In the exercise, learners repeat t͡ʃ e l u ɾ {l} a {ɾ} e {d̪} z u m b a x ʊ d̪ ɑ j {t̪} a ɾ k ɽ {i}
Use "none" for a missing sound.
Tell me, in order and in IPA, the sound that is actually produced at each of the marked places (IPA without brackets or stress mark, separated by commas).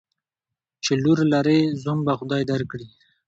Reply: l, ɾ, none, d̪, i